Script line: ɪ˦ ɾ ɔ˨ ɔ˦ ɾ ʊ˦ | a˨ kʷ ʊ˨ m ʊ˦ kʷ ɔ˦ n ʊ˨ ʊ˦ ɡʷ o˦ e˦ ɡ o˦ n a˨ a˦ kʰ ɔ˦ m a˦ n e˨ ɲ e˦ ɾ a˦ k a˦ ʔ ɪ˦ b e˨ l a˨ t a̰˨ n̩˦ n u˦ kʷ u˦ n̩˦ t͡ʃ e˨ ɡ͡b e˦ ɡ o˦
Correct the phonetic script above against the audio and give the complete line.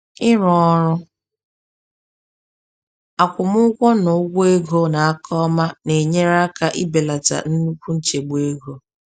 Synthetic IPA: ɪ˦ ɾ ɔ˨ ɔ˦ ɾ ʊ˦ | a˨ kʷ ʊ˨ m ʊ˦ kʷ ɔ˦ n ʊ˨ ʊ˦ ɡʷ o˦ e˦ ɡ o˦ n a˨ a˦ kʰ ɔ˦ m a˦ n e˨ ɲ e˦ ɾ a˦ k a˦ ʔ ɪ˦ b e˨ l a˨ t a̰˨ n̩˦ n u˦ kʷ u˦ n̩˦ t͡ʃ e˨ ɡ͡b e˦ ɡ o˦

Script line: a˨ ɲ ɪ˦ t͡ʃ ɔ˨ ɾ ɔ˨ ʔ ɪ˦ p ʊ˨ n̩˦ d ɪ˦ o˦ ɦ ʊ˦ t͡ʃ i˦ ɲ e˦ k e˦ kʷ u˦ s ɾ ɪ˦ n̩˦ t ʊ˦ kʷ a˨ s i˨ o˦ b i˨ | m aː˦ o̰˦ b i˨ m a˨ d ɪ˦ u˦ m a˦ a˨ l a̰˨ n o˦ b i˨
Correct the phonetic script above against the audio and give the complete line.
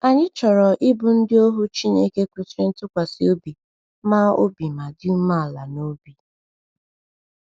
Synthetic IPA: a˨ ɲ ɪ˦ t͡ʃ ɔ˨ ɾ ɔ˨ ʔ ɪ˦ b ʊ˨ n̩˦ d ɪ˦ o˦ ɦ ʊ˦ t͡ʃ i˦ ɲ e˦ k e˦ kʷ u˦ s ɾ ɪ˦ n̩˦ t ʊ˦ kʷ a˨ s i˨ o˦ b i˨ | m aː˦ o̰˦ b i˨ m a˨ d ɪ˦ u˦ m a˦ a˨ l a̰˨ n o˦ b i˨

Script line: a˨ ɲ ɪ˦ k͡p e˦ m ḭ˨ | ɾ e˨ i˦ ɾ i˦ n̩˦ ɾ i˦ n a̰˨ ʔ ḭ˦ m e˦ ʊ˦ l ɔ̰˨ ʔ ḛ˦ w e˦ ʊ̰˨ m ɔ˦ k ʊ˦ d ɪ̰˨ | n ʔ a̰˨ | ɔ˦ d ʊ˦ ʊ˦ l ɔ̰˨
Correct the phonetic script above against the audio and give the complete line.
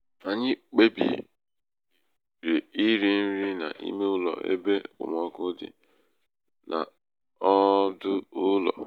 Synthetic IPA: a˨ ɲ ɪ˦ k͡p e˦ b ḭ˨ | ɾ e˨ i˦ ɾ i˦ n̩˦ ɾ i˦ n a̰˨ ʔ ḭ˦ m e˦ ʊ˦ l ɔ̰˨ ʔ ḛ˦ b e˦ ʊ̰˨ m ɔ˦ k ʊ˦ d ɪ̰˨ | n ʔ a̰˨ | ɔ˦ d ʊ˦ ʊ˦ l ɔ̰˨

